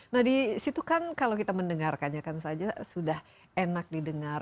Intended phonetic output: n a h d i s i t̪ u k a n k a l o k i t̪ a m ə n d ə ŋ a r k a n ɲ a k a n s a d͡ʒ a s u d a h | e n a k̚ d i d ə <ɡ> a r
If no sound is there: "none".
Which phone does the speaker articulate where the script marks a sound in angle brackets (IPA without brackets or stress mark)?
ŋ